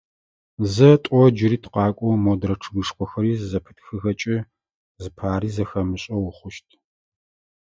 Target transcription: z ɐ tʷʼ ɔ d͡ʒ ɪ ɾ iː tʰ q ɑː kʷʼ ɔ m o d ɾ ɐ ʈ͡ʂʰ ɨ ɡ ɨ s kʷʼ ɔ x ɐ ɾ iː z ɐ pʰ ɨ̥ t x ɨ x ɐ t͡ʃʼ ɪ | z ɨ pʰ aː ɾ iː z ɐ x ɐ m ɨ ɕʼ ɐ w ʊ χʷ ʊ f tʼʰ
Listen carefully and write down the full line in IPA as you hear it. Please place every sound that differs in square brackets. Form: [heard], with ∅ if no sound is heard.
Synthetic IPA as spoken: z ɐ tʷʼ ɔ d͡ʒ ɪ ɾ iː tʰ q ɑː kʷʼ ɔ m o d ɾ ɐ ʈ͡ʂʰ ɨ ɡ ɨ [ʂ] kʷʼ ɔ x ɐ ɾ iː z ɐ pʰ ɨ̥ t x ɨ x ɐ t͡ʃʼ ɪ | z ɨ pʰ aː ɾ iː z ɐ x ɐ m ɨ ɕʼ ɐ w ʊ χʷ ʊ [ʃ] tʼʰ